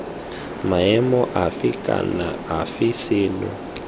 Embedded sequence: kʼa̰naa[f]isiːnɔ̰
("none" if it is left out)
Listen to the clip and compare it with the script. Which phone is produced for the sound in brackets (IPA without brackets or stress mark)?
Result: f